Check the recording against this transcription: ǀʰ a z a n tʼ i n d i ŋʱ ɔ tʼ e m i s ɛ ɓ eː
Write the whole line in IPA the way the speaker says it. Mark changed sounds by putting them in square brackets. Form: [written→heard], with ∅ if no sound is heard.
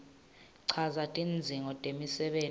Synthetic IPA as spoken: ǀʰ a z a [n→∅] tʼ i n [d→d͡zʱ] i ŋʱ ɔ tʼ e m i s ɛ ɓ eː